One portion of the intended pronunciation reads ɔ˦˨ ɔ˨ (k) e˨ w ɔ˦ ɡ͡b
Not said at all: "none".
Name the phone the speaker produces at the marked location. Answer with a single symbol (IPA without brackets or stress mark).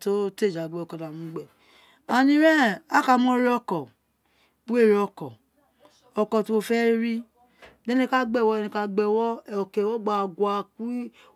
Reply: k